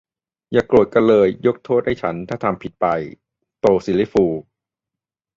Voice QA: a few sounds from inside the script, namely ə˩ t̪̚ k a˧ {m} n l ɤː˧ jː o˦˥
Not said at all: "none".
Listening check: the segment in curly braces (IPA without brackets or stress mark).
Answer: none